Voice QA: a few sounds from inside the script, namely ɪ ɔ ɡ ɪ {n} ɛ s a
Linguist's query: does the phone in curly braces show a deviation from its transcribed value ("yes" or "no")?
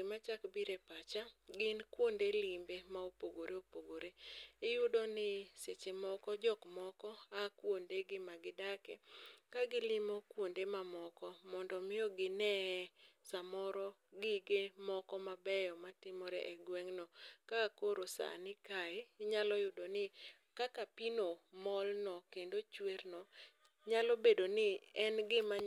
no